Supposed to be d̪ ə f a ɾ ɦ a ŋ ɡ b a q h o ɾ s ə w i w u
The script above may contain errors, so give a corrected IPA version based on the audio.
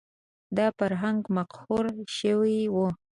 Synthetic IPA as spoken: d̪ ɑ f a ɾ ɦ a ŋ ɡ m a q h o ɾ ʃ ə w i w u